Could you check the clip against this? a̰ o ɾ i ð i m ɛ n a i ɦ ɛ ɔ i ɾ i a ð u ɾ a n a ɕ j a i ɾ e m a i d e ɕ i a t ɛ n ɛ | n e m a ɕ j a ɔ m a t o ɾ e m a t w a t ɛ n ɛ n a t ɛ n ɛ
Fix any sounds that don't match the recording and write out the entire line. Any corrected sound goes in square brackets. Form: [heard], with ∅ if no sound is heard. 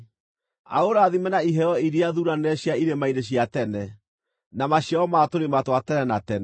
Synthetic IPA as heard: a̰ o ɾ [a] ð i m ɛ n a i ɦ ɛ ɔ i ɾ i a ð u ɾ a n [ɛ] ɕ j a i ɾ e m a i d e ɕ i a t ɛ n ɛ | n [a] m a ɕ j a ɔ m a t o ɾ e m a t w a t ɛ n ɛ n a t ɛ n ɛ

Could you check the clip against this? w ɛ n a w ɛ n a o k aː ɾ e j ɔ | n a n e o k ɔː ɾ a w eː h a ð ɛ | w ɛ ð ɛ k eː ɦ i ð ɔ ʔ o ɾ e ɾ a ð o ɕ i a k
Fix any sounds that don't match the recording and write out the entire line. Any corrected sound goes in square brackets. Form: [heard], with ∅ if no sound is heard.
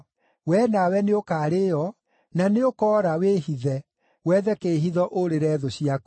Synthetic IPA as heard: w ɛ n a w ɛ n [e] o k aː ɾ e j ɔ | n a n e o k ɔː ɾ a w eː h [i] ð ɛ | w ɛ ð ɛ k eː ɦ i ð ɔ ʔ o ɾ e ɾ [ɛ] ð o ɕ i a k

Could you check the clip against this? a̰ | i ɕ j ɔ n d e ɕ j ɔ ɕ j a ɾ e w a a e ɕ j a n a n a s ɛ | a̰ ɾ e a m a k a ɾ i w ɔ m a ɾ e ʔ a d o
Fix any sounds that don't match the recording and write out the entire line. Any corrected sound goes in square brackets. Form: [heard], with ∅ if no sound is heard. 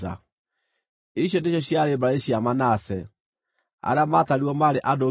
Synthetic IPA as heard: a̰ | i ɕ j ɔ n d e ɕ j ɔ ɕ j a ɾ e [b] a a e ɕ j a [m] a n a s ɛ | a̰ ɾ e a m a [t] a ɾ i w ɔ m a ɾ e ʔ a d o

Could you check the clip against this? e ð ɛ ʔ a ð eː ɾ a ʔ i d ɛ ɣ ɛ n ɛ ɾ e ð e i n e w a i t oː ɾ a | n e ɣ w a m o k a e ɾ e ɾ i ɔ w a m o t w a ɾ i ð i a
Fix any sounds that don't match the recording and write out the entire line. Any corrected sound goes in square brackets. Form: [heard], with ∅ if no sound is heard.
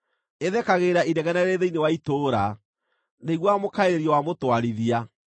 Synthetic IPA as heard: e ð ɛ [k] a [ɣ] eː ɾ a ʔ i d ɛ ɣ ɛ n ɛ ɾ e ð e i n e w a i t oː ɾ a | n e ɣ w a m o k a e ɾ e ɾ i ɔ w a m o t w a ɾ i ð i a

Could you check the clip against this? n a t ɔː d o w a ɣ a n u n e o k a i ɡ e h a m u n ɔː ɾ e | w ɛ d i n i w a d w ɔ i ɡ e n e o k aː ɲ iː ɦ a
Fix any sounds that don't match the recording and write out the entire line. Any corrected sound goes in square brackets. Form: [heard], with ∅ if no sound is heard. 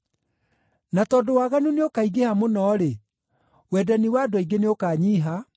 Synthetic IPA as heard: n a t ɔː d o w a ɣ a n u n e o k a i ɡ e h a m [o] n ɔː ɾ e | w ɛ d [a] n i w a d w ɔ i ɡ e n e o k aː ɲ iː ɦ a

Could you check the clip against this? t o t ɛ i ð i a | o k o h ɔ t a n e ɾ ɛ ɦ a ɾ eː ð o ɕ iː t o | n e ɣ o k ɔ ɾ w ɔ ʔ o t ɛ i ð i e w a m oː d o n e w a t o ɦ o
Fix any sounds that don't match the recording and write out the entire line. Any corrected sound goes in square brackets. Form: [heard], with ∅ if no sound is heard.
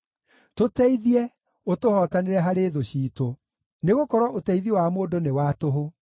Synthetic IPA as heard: t o t ɛ i ð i [ɛ] | o [t] o h ɔ t a n e ɾ ɛ ɦ a ɾ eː ð o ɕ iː t o | n e ɣ o k ɔ ɾ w ɔ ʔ o t ɛ i ð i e w a m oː d o n e w a t o ɦ o

